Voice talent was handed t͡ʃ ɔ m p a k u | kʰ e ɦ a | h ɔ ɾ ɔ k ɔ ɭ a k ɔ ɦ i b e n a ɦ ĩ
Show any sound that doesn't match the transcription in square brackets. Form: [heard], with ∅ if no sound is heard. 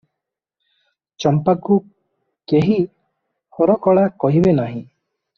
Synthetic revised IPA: t͡ʃ ɔ m p a k u | [k] e ɦ [i] | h ɔ ɾ ɔ k ɔ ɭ a k ɔ ɦ i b e n a ɦ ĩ